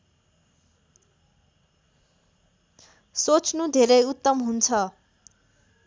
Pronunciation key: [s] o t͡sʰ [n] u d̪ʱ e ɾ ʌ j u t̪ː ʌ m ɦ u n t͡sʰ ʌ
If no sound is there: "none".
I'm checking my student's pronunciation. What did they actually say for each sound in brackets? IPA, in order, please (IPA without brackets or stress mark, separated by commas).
s, n